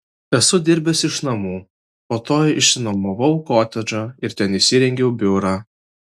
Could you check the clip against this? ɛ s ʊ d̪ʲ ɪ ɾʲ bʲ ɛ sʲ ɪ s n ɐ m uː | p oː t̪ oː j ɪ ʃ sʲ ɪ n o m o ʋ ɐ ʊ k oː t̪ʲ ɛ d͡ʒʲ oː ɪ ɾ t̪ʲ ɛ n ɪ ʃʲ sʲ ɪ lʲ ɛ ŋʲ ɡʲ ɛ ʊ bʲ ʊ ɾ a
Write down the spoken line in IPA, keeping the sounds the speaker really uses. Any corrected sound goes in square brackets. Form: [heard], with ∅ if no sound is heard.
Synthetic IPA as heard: ɛ s ʊ d̪ʲ ɪ ɾʲ bʲ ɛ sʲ ɪ [ʃ] n ɐ m uː | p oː t̪ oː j ɪ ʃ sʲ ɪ n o m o ʋ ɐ ʊ k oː t̪ʲ ɛ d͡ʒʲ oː ɪ ɾ t̪ʲ ɛ n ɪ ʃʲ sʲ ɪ [ɾʲ] ɛ ŋʲ ɡʲ ɛ ʊ bʲ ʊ ɾ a

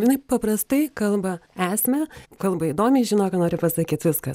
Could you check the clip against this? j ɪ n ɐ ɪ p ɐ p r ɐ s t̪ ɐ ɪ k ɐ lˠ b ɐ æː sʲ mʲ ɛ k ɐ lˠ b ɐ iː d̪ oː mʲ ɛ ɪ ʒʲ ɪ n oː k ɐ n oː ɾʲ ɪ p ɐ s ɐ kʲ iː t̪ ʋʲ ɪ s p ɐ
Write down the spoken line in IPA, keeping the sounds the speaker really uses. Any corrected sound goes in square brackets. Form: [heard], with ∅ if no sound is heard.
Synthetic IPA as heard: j ɪ n ɐ ɪ p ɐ p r ɐ s t̪ ɐ ɪ k ɐ lˠ b ɐ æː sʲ mʲ ɛ k ɐ lˠ b ɐ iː d̪ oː mʲ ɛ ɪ ʒʲ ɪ n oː k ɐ n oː ɾʲ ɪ p ɐ s ɐ kʲ iː t̪ ʋʲ ɪ s [k] ɐ

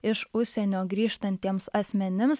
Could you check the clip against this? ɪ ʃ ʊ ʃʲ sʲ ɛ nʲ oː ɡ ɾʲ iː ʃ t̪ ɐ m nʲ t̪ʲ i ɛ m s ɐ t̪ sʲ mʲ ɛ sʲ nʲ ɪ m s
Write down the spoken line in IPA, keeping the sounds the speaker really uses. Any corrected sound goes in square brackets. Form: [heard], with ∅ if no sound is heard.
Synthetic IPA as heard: ɪ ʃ ʊ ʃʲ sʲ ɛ nʲ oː ɡ ɾʲ iː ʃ t̪ ɐ [∅] nʲ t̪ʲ i ɛ m s ɐ [∅] sʲ mʲ ɛ [∅] nʲ ɪ m s

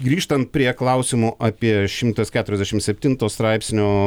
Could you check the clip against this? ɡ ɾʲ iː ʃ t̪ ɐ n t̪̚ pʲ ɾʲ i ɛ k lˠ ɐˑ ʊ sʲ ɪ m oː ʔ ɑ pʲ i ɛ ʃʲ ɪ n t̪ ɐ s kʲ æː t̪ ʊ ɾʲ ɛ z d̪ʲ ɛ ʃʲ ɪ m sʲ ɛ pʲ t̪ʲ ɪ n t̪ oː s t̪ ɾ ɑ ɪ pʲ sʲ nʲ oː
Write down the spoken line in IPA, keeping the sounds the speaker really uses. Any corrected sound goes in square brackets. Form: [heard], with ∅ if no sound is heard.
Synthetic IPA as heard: ɡ ɾʲ iː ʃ t̪ ɐ n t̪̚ pʲ ɾʲ i ɛ k lˠ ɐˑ ʊ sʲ ɪ m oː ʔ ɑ pʲ i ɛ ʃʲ ɪ [m] t̪ ɐ s kʲ æː t̪ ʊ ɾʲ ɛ z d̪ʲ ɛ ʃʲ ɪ m sʲ ɛ pʲ t̪ʲ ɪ n t̪ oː s t̪ ɾ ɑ ɪ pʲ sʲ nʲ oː

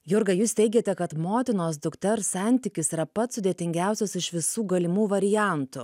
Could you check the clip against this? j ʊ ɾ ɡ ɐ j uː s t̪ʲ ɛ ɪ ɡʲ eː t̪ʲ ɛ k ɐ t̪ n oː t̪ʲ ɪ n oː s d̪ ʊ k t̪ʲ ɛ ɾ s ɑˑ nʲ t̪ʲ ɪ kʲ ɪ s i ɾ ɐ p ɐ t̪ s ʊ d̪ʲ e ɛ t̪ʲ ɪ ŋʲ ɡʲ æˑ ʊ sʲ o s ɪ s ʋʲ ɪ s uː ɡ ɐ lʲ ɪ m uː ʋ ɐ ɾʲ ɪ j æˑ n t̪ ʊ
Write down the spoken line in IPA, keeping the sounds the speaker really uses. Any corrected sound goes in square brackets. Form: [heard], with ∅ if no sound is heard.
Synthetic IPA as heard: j ʊ ɾ ɡ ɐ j uː s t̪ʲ ɛ ɪ ɡʲ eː t̪ʲ ɛ k ɐ t̪ [m] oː t̪ʲ ɪ n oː s d̪ ʊ k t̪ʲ ɛ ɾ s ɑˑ nʲ t̪ʲ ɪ kʲ ɪ s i ɾ ɐ p ɐ t̪ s ʊ d̪ʲ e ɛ t̪ʲ ɪ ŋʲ ɡʲ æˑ ʊ sʲ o s ɪ [ʃ] ʋʲ ɪ s uː ɡ ɐ lʲ ɪ m uː ʋ ɐ ɾʲ ɪ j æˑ n t̪ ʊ

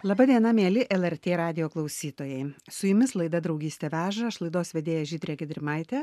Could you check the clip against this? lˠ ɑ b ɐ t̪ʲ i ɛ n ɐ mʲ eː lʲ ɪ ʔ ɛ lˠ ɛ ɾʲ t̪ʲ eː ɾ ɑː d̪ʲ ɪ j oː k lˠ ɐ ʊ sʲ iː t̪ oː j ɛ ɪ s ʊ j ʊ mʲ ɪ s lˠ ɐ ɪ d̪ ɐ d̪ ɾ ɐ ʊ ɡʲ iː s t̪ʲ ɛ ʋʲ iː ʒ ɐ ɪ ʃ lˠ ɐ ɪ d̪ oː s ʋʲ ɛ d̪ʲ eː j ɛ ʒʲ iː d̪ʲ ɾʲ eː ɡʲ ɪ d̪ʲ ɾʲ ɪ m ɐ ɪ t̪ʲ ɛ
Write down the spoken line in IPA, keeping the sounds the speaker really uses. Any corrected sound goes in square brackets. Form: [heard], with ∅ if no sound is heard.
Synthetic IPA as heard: lˠ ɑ b ɐ [d̪ʲ] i ɛ n ɐ mʲ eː lʲ ɪ ʔ ɛ lˠ ɛ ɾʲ t̪ʲ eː ɾ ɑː d̪ʲ ɪ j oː k lˠ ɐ ʊ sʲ iː t̪ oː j ɛ ɪ s ʊ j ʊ mʲ ɪ s lˠ ɐ ɪ d̪ ɐ d̪ ɾ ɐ ʊ ɡʲ iː s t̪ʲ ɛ ʋʲ [æː] ʒ ɐ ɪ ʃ lˠ ɐ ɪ d̪ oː s ʋʲ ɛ d̪ʲ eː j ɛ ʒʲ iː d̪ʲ ɾʲ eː ɡʲ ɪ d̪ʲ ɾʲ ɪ m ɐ ɪ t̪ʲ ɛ

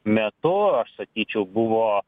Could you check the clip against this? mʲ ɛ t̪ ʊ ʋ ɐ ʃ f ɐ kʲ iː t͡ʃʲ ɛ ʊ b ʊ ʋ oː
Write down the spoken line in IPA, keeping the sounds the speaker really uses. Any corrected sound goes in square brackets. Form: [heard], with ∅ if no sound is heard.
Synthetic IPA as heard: mʲ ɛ t̪ ʊ [∅] ɐ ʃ [s] ɐ kʲ iː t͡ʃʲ ɛ ʊ b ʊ ʋ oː

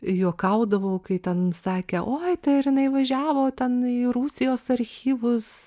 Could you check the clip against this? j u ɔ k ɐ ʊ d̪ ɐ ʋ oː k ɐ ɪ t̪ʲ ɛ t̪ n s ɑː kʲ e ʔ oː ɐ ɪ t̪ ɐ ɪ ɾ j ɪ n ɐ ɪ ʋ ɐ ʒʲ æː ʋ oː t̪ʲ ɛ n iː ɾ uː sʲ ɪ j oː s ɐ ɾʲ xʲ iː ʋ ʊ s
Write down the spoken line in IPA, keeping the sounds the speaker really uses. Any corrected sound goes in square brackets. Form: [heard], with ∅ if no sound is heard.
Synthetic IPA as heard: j u ɔ k ɐ ʊ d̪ ɐ ʋ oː k ɐ ɪ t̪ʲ ɛ [∅] n s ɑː kʲ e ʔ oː ɐ ɪ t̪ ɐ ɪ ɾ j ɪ n ɐ ɪ ʋ ɐ ʒʲ æː ʋ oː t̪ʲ ɛ n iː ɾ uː sʲ ɪ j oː s ɐ ɾʲ xʲ iː ʋ ʊ s

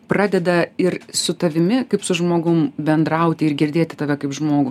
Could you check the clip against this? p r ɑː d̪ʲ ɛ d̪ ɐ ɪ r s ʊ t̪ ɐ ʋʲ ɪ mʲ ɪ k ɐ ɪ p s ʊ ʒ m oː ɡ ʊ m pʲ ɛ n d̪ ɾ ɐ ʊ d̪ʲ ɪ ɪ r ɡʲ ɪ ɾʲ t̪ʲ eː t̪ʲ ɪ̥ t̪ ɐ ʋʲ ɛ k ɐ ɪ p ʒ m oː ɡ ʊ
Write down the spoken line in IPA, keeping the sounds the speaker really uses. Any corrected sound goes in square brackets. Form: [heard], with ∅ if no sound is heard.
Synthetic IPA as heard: p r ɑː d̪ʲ ɛ d̪ ɐ ɪ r s ʊ t̪ ɐ ʋʲ ɪ mʲ ɪ k ɐ ɪ p s ʊ ʒ m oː ɡ ʊ m [bʲ] ɛ n d̪ ɾ ɐ ʊ [t̪ʲ] ɪ ɪ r ɡʲ ɪ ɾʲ [d̪ʲ] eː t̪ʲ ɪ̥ t̪ ɐ ʋʲ ɛ k ɐ ɪ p ʒ m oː ɡ ʊ

